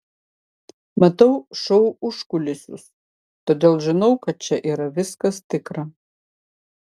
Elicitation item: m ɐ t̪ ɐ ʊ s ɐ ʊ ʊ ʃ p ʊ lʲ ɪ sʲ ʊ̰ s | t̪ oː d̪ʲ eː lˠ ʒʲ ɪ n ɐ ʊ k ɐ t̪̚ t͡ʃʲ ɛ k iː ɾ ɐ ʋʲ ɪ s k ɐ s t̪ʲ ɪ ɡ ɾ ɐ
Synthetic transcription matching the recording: m ɐ t̪ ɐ ʊ ʃ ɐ ʊ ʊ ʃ k ʊ lʲ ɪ sʲ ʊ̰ s | t̪ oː d̪ʲ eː lˠ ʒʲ ɪ n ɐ ʊ k ɐ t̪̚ t͡ʃʲ ɛ ʔ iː ɾ ɐ ʋʲ ɪ s k ɐ s t̪ʲ ɪ k ɾ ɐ